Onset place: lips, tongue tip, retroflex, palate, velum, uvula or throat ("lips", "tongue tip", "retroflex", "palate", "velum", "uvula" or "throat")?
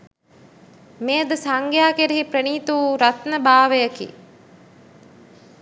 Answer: lips